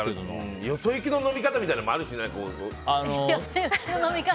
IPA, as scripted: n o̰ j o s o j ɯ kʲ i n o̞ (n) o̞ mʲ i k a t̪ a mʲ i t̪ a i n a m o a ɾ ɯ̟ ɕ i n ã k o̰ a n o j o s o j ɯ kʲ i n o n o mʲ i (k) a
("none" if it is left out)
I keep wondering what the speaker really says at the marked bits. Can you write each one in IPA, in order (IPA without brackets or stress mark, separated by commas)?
n, k